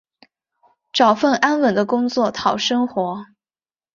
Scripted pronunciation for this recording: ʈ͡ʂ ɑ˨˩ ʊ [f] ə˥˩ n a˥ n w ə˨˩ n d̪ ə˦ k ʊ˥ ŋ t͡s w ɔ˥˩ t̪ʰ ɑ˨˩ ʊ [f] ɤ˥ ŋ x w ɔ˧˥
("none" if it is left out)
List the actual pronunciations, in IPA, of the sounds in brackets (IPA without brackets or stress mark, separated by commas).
f, ʂ